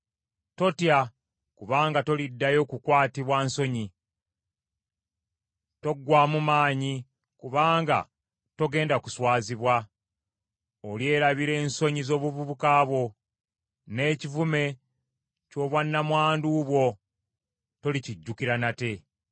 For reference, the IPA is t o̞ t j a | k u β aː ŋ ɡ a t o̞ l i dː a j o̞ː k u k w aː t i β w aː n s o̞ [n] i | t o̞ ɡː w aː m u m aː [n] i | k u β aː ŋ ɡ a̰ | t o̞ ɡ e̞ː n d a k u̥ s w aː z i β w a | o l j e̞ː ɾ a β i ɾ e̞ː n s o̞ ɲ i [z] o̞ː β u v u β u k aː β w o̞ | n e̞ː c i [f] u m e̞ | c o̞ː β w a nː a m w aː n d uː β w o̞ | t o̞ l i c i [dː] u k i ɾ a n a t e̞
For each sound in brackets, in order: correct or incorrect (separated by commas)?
incorrect, incorrect, correct, incorrect, incorrect